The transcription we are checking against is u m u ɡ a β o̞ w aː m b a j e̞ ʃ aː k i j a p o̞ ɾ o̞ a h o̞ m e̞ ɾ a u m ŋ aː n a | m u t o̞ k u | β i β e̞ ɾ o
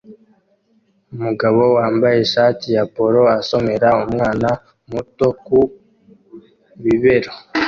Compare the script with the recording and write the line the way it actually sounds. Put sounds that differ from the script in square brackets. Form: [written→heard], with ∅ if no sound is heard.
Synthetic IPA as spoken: u m u ɡ a β o̞ w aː m b a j e̞ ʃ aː [k→t] i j a p o̞ ɾ o̞ a [h→s] o̞ m e̞ ɾ a u m ŋ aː n a | m u t o̞ k u | β i β e̞ ɾ o